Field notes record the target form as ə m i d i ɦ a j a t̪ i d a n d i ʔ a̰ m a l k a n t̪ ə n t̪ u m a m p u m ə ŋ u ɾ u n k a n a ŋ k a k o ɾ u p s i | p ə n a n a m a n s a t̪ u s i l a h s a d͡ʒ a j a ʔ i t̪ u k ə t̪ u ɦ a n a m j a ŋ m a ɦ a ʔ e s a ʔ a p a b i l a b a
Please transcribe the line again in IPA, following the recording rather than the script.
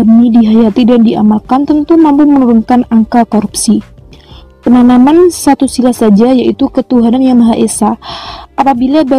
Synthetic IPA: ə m i d i ɦ a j a t̪ i d a n d i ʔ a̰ m a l k a n t̪ ə n t̪ u m a m p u m ə n u ɾ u n k a n a ŋ k a k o ɾ u p s i | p ə n a n a m a n s a t̪ u s i l a h s a d͡ʒ a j a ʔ i t̪ u k ə t̪ u ɦ a n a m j a ŋ m a ɦ a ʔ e s a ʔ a p a b i l a b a